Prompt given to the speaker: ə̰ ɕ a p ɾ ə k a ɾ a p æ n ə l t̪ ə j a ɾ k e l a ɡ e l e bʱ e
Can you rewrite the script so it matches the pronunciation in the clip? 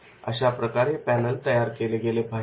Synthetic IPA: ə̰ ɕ a p ɾ ə k a ɾ e p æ n ə l t̪ ə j a ɾ k e l e ɡ e l e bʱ a